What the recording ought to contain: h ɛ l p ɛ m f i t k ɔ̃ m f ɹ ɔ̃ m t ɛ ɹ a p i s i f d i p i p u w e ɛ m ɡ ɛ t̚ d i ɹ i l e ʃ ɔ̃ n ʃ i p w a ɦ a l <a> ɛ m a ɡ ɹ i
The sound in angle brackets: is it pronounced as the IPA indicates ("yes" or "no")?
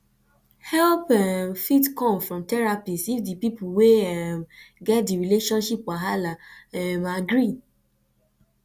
yes